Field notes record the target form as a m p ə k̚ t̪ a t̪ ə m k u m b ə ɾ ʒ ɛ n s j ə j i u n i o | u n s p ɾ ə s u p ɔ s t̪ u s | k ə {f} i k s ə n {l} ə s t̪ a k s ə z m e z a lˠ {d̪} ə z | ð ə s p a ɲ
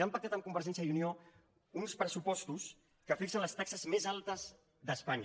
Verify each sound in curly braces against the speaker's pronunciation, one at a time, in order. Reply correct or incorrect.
correct, correct, incorrect: t̪

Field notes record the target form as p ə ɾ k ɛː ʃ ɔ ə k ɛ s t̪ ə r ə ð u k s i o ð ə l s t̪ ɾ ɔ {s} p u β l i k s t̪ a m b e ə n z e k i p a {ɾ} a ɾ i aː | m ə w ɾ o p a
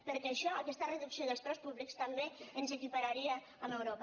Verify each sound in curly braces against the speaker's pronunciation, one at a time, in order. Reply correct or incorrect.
correct, correct

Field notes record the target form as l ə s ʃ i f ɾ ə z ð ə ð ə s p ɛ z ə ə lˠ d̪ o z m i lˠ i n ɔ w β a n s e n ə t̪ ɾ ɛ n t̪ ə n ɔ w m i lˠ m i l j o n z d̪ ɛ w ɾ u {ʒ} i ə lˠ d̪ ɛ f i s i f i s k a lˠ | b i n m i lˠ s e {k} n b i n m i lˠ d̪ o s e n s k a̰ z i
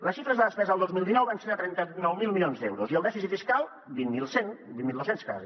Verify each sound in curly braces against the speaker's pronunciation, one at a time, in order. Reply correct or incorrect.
incorrect: z, incorrect: none

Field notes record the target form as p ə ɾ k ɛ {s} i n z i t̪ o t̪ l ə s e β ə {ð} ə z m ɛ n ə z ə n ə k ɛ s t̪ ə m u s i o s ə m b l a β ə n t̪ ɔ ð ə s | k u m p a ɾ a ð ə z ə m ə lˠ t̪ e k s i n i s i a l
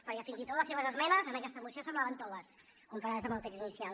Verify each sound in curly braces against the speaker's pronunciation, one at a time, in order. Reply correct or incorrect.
incorrect: f, incorrect: z

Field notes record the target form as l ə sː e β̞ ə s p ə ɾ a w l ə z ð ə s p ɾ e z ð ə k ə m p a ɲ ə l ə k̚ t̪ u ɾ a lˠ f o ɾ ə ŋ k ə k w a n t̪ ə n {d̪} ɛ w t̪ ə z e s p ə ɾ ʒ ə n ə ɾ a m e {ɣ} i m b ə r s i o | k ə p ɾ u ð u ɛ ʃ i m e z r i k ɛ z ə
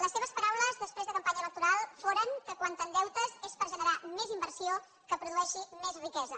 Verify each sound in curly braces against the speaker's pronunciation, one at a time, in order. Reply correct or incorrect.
correct, incorrect: z

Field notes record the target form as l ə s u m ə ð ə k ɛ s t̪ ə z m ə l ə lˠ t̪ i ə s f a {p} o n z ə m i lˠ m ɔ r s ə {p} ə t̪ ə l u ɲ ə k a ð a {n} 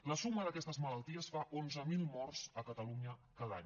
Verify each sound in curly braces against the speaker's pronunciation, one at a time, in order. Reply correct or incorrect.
incorrect: ʔ, incorrect: k, incorrect: ɲ

